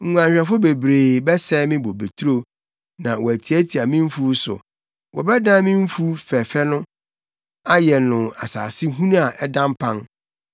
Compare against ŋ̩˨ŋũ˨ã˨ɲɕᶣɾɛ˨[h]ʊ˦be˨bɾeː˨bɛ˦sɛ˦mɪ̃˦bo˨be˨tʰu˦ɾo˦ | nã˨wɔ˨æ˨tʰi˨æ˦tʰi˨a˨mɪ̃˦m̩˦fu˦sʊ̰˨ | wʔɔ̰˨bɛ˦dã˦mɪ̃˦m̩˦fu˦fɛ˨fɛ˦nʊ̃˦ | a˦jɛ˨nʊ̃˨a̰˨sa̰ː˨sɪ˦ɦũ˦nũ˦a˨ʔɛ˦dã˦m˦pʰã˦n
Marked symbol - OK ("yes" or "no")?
no